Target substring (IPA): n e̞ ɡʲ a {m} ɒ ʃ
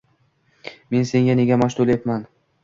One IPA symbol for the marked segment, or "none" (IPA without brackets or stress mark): m